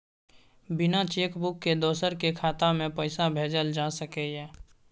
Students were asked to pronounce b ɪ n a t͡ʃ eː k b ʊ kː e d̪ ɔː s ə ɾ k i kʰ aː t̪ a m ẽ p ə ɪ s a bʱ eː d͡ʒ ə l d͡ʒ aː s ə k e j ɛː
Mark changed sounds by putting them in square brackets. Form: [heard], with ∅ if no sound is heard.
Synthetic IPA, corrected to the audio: b ɪ n a t͡ʃ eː k b ʊ kː e d̪ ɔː s ə ɾ k [e] kʰ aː t̪ a m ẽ p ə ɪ s a bʱ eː d͡ʒ ə l d͡ʒ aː s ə k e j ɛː